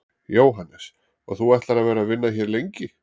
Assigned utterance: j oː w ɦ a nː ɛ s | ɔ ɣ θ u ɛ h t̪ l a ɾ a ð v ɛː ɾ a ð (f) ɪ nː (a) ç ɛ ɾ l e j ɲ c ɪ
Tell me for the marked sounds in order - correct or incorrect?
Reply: incorrect, correct

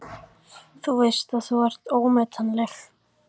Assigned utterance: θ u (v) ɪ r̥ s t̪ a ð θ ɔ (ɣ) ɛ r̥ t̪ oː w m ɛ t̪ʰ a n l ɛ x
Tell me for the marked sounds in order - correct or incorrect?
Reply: correct, incorrect

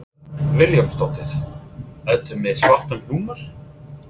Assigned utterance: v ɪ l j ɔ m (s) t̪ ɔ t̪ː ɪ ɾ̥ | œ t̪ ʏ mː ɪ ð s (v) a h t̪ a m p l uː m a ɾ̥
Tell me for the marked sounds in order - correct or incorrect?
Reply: correct, correct

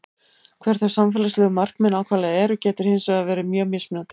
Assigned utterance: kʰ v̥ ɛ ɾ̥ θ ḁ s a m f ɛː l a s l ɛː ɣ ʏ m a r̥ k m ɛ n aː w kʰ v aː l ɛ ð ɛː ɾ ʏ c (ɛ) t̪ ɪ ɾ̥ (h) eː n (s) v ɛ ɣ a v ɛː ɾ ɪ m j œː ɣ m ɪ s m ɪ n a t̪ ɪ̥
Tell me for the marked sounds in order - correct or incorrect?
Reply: incorrect, correct, correct

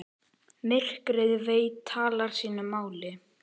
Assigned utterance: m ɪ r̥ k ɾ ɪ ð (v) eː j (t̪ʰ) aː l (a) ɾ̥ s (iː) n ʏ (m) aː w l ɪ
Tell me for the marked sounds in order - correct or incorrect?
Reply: correct, correct, correct, correct, correct

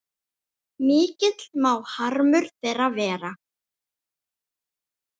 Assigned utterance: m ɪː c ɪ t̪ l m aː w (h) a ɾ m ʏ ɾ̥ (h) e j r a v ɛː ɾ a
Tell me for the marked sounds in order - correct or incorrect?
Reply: correct, incorrect

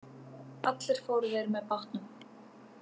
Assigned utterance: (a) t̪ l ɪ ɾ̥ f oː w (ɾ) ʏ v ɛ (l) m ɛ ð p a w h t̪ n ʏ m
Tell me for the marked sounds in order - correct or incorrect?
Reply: correct, correct, incorrect

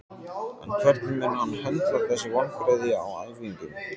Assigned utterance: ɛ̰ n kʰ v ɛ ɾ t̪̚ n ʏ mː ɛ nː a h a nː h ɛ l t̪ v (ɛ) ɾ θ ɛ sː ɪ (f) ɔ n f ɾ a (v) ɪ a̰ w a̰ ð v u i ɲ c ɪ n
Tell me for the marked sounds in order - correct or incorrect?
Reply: incorrect, incorrect, incorrect

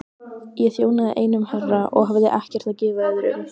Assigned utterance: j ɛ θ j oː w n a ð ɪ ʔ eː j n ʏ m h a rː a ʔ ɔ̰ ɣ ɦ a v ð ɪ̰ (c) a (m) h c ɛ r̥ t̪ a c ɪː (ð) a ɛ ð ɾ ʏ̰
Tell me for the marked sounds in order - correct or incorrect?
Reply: incorrect, incorrect, incorrect

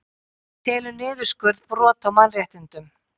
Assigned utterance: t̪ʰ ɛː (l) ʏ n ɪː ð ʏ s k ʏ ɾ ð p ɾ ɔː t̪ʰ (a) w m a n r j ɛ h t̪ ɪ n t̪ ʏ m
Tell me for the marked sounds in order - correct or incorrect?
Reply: correct, correct

